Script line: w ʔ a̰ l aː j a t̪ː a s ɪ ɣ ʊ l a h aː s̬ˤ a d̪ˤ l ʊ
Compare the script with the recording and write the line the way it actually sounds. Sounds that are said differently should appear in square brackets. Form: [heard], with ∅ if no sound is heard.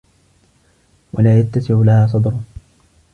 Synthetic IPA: w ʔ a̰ l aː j a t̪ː a s ɪ [ʕ] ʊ l a h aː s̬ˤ [ɑ] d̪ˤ [ɾ] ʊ